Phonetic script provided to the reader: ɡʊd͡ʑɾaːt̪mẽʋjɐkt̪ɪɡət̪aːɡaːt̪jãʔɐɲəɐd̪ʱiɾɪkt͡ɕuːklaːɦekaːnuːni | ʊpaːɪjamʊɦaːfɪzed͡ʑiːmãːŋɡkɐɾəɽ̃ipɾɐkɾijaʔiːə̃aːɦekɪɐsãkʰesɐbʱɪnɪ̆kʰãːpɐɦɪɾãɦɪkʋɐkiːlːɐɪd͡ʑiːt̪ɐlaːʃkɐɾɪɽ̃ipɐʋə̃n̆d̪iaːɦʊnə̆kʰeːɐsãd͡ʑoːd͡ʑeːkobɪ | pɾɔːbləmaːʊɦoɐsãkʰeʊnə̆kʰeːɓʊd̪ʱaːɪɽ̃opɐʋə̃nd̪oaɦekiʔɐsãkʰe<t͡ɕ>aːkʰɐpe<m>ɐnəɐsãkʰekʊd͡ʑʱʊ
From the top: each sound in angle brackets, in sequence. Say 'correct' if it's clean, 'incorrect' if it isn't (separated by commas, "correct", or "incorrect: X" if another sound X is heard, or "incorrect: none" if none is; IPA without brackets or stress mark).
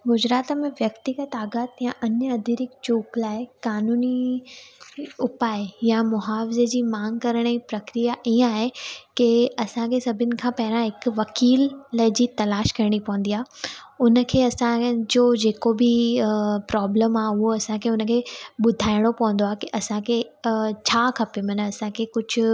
incorrect: t͡ɕʰ, correct